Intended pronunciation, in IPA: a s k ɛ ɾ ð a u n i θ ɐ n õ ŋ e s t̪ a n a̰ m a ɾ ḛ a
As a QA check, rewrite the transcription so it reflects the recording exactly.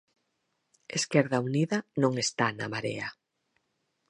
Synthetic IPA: e s k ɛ ɾ ð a u n i ð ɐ n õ ŋ e s t̪ a n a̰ m a ɾ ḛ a

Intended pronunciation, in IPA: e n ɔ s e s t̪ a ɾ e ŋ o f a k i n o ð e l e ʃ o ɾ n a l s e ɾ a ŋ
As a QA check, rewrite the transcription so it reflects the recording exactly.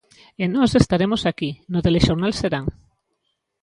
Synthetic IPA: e n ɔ s e s t̪ a ɾ e m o s a k i n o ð e l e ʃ o ɾ n a l s e ɾ a ŋ

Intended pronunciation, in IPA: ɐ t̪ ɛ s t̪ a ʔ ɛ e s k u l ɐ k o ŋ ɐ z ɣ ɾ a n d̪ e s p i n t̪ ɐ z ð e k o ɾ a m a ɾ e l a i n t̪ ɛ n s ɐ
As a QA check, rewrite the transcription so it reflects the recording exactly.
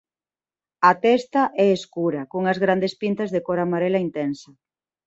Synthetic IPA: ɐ t̪ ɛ s t̪ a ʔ ɛ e s k u ɾ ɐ k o ŋ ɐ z ɣ ɾ a n d̪ e s p i n t̪ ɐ z ð e k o ɾ a m a ɾ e l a i n t̪ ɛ n s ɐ

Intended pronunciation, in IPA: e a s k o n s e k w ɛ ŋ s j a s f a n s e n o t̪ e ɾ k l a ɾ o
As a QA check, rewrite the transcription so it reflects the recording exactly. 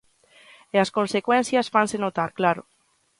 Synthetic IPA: e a s k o n s e k w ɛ n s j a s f a n s e n o t̪ a ɾ k l a ɾ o

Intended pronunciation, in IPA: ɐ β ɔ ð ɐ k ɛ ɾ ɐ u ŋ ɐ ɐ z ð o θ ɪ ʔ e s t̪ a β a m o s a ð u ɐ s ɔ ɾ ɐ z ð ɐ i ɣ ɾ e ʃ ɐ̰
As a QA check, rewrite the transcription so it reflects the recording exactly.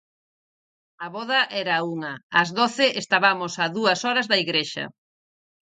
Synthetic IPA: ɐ β ɔ ð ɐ ʔ ɛ ɾ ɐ u ŋ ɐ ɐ z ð o θ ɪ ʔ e s t̪ a β a m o s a ð u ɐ s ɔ ɾ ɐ z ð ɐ i ɣ ɾ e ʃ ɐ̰

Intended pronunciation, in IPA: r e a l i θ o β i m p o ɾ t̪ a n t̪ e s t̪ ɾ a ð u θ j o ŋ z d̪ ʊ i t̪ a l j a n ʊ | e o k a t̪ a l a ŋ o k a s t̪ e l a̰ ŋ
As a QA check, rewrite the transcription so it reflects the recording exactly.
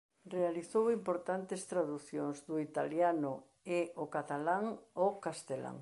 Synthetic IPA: r e a l i θ o w i m p o ɾ t̪ a n t̪ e s t̪ ɾ a ð u θ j o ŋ z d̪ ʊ i t̪ a l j a n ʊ | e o k a t̪ a l a ŋ o k a s t̪ e l a̰ ŋ

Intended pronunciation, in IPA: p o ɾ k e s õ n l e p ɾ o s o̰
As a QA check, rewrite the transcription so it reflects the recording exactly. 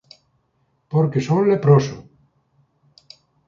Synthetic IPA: p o ɾ k e s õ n l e p ɾ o s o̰

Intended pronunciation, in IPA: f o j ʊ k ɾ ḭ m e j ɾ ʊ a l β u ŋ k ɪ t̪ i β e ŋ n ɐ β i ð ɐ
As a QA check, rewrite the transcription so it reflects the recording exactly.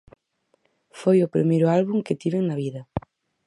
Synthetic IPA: f o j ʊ p ɾ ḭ m e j ɾ ʊ a l β u ŋ k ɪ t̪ i β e ŋ n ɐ β i ð ɐ

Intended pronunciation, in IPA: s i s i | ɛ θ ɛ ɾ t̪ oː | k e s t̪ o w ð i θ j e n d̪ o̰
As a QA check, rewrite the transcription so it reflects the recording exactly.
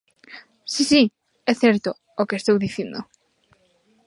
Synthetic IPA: s i s i | ɛ θ ɛ ɾ t̪ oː | k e s t̪ o w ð i θ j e n d̪ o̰

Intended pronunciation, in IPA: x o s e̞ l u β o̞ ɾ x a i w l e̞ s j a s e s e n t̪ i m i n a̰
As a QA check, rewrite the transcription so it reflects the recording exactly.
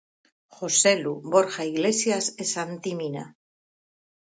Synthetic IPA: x o s e̞ l u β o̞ ɾ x a i ɣ l e̞ s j a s e s a n t̪ i m i n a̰

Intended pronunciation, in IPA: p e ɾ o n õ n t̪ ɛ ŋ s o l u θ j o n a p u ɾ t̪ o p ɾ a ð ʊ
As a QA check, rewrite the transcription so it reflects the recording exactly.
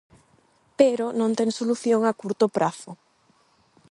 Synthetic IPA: p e ɾ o n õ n t̪ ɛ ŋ s o l u θ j o ŋ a k u ɾ t̪ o p ɾ a θ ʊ

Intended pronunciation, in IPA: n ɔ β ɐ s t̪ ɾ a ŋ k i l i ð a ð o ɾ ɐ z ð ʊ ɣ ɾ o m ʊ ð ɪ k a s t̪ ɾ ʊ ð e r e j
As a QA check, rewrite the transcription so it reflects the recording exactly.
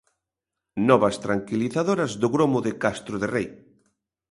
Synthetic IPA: n ɔ β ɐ s t̪ ɾ a ŋ k i l i θ a ð o ɾ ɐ z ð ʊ ɣ ɾ o m ʊ ð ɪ k a s t̪ ɾ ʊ ð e r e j

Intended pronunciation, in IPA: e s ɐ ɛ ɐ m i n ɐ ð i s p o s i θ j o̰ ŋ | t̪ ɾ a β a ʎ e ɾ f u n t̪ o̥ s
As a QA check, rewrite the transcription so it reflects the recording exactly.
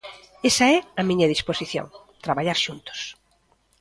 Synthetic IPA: e s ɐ ɛ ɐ m i ɲ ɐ ð i s p o s i θ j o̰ ŋ | t̪ ɾ a β a ʎ a ɾ ʃ u n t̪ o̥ s

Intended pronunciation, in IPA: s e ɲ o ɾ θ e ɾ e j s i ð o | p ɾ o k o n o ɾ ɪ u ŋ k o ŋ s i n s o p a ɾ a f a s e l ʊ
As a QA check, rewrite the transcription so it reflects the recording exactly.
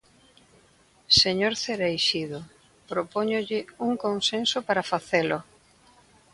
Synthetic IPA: s e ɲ o ɾ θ e ɾ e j ʃ i ð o | p ɾ o p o ɲ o ʎ ɪ u ŋ k o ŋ s e n s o p a ɾ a f a θ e l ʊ

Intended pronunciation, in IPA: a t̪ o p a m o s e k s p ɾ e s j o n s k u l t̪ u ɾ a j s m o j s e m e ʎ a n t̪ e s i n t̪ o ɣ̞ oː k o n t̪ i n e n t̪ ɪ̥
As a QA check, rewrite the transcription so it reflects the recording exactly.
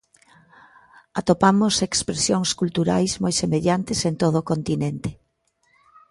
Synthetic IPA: a t̪ o p a m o s e k s p ɾ e s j o ŋ s k u l t̪ u ɾ a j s m o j s e m e ʎ a n t̪ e s e n t̪ o ð̞ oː k o n t̪ i n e n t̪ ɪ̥

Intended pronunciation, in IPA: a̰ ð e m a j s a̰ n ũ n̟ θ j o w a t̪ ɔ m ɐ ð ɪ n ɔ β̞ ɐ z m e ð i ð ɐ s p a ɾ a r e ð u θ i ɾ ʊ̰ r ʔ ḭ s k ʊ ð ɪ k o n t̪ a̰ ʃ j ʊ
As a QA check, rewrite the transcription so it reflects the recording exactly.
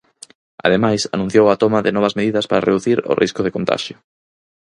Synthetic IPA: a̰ ð e m a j s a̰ n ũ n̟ θ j o w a t̪ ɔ m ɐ ð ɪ n ɔ β̞ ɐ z m e ð i ð ɐ s p a ɾ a r e ð u θ i ɾ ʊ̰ r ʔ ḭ s k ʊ ð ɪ k o n t̪ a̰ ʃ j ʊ

